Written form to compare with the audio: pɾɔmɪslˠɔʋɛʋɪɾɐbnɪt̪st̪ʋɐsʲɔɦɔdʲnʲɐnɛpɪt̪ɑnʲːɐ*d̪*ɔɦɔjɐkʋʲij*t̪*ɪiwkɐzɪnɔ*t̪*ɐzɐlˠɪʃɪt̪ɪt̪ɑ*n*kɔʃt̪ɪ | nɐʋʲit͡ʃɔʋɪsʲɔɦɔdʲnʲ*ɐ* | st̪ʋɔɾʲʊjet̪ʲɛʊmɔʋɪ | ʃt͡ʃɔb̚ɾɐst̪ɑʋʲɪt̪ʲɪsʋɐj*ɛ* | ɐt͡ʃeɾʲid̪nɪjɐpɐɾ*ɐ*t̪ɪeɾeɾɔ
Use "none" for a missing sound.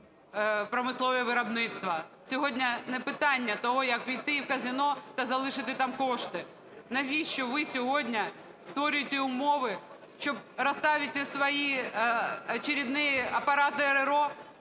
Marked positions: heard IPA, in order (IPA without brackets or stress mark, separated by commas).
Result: t̪, t̪, t̪, m, ɐ, i, ɑ